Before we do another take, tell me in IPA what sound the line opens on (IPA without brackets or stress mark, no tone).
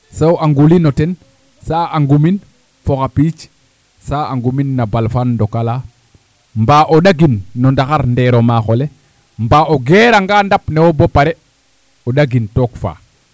s